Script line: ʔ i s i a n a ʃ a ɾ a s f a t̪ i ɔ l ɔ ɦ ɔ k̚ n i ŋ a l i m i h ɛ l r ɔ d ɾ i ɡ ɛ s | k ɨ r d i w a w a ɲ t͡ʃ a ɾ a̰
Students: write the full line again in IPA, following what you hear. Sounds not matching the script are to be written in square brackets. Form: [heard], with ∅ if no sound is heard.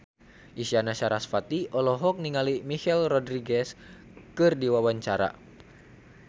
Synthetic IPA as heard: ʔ i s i a n a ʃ a ɾ a s f a t̪ i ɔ l ɔ ɦ ɔ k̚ n i ŋ a l i m i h ɛ l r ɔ d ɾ i ɡ ɛ s | k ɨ r d i w a w a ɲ t͡ʃ a ɾ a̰